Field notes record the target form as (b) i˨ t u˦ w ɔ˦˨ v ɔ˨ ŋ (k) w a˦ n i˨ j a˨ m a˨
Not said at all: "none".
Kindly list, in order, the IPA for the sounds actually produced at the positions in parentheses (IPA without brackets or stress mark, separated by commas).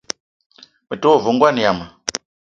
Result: m, ɡ